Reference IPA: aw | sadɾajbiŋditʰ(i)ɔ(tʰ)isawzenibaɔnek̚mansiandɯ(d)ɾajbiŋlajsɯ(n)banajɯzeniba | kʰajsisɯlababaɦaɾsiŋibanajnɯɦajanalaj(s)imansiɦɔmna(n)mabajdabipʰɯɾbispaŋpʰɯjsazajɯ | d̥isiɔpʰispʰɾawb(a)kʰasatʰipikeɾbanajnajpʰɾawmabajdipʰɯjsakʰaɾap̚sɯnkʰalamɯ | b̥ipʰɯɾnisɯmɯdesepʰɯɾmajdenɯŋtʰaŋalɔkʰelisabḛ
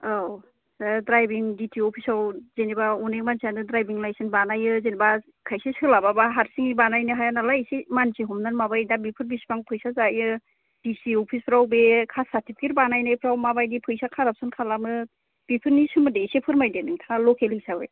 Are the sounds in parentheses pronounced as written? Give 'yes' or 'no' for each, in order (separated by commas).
yes, no, yes, yes, yes, yes, no